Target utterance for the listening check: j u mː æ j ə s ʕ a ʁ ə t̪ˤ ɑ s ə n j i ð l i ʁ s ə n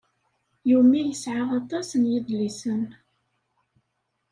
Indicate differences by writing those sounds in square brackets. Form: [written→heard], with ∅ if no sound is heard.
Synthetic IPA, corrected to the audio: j u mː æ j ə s ʕ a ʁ [ə→ɑ] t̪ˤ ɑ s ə n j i ð l i [ʁ→∅] s ə n